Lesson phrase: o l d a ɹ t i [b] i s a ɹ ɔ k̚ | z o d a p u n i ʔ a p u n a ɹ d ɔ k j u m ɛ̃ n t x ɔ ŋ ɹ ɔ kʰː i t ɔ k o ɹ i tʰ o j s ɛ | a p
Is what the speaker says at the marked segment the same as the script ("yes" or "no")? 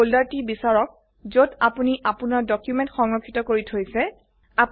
yes